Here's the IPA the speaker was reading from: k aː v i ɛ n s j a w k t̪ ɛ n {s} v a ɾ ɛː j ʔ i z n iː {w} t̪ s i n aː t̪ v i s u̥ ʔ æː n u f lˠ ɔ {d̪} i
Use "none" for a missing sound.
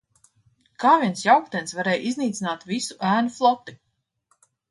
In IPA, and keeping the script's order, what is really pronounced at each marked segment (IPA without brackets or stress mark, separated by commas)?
s, none, t̪